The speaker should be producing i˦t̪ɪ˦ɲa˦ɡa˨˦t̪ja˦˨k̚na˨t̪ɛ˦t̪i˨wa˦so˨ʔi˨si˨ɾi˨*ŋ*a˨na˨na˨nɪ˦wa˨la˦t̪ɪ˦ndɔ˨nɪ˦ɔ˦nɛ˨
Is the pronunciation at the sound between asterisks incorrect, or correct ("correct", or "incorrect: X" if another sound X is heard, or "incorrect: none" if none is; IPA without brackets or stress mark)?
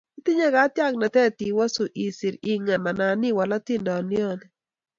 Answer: correct